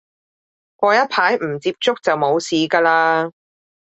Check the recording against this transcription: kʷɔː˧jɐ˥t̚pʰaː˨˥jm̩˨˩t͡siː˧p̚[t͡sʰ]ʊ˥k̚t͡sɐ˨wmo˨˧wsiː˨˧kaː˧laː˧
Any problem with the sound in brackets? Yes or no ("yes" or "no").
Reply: yes